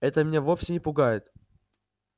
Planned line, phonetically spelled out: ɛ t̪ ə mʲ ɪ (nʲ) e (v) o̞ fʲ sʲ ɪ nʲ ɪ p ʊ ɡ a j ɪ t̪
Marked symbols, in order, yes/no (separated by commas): yes, yes